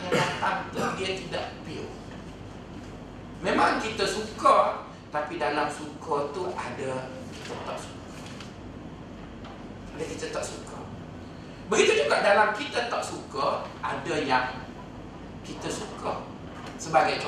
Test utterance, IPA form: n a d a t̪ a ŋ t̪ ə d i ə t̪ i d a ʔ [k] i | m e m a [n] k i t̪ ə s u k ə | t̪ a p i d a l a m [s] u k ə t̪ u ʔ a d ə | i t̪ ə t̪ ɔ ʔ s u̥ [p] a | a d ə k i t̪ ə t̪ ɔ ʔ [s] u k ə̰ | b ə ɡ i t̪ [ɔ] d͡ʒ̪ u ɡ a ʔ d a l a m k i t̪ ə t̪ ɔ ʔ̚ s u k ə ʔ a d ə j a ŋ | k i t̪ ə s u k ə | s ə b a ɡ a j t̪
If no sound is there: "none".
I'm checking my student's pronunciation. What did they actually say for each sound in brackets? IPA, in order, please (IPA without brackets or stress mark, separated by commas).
p, ŋ, s, k, s, u